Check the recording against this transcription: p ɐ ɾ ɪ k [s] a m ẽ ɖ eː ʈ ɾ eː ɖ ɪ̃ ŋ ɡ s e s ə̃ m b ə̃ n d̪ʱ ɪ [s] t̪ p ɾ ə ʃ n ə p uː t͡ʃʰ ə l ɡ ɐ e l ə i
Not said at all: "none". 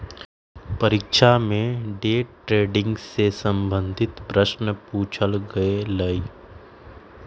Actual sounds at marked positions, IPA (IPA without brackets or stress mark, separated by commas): ʃ, none